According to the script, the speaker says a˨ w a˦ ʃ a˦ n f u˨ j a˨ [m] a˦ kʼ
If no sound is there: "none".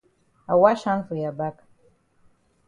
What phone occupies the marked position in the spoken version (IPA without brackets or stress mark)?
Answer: b